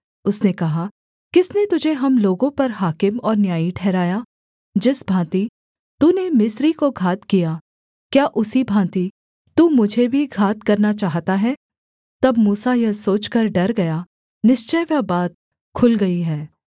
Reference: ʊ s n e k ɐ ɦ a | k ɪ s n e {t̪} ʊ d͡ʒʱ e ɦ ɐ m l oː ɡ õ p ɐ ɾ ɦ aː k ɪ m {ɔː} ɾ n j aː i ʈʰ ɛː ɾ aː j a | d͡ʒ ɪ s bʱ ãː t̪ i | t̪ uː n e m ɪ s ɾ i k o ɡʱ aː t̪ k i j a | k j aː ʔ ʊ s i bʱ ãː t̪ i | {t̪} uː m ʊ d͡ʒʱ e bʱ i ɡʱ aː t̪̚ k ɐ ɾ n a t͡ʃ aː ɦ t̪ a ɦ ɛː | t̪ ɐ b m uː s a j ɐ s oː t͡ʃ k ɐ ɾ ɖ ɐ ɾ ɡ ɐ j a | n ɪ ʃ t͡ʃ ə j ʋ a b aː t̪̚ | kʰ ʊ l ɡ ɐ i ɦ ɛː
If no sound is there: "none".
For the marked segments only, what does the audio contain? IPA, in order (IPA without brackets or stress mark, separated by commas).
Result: t̪, ɔː, t̪